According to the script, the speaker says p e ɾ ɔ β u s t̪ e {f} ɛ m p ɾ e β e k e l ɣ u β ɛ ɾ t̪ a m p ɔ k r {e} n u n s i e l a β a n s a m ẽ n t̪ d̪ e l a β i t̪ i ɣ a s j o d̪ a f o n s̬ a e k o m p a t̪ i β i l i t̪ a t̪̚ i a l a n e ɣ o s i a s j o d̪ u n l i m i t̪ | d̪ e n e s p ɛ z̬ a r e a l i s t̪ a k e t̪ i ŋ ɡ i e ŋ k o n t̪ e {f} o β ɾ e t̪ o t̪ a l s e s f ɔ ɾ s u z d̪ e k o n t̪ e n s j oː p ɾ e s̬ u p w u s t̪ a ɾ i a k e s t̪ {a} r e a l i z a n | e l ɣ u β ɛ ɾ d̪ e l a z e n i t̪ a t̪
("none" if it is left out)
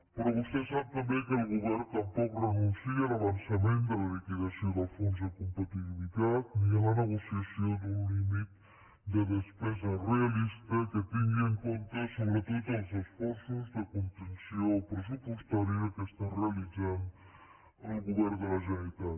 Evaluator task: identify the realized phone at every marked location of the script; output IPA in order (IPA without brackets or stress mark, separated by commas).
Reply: s, e, s, a